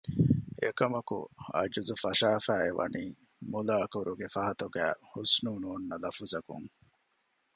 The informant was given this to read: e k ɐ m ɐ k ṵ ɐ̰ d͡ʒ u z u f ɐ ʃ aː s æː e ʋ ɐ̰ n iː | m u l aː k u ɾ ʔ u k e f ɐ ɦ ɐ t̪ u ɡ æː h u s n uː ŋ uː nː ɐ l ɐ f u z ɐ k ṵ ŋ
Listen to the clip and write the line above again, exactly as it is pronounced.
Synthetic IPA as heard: e k ɐ m ɐ k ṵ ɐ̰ d͡ʒ u z u f ɐ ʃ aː f æː e ʋ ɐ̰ n iː | m u l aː k u ɾ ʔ u ɡ e f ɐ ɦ ɐ t̪ u ɡ æː h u s n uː n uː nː ɐ l ɐ f u z ɐ k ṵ ŋ